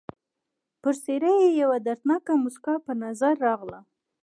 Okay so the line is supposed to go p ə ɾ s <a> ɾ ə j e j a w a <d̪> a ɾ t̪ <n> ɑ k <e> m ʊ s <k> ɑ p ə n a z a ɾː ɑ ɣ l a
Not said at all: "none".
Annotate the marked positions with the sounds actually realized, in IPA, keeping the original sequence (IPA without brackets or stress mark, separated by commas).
e, d̪, n, a, k